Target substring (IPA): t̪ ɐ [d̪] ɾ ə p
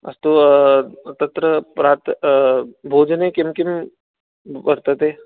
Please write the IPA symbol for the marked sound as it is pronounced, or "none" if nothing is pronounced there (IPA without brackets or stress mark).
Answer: t̪